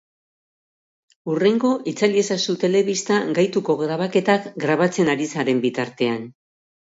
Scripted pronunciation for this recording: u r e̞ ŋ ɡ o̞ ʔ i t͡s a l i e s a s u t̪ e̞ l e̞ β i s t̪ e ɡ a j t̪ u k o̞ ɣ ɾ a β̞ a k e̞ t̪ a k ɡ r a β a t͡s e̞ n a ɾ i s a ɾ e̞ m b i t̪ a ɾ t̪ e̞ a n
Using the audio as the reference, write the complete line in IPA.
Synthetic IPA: u r e̞ ŋ ɡ o̞ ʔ i t͡s a l i e s a s u t̪ e̞ l e̞ β i s t̪ a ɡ a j t̪ u k o̞ ɣ ɾ a β̞ a k e̞ t̪ a k ɡ ɾ a β a t͡s e̞ n a ɾ i s a ɾ e̞ m b i t̪ a ɾ t̪ e̞ a n